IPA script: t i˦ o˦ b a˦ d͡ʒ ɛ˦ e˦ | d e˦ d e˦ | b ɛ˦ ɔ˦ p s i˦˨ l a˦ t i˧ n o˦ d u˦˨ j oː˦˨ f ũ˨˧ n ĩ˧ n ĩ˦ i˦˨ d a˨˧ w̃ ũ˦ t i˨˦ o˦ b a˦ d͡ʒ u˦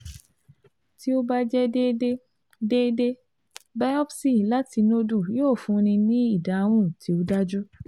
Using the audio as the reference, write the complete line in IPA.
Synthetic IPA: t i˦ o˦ b a˦ d͡ʒ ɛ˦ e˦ | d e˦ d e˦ | b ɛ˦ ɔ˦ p s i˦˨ l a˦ t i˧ n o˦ d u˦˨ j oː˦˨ f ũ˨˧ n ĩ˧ n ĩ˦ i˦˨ d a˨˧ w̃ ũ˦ t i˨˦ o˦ d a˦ d͡ʒ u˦